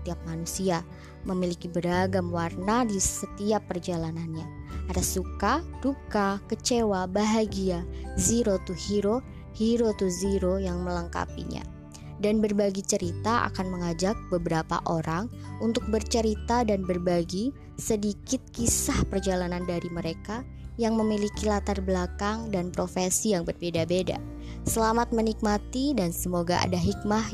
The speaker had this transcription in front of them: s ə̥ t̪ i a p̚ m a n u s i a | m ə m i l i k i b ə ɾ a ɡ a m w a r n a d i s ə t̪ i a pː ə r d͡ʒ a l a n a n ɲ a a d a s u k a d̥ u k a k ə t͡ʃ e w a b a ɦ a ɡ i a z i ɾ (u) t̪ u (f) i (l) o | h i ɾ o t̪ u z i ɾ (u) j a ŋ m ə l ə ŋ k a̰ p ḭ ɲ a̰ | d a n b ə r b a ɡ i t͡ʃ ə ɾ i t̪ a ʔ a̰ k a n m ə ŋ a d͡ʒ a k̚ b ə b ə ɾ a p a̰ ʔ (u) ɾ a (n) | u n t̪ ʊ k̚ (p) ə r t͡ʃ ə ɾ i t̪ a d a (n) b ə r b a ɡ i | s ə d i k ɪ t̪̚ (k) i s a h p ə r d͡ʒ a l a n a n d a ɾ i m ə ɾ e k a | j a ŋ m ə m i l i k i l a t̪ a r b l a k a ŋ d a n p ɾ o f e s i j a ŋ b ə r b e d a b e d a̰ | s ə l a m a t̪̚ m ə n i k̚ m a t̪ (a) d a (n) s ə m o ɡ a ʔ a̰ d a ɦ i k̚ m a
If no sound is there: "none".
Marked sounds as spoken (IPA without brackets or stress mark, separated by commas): o, h, ɾ, o, o, ŋ, b, n, k, i, n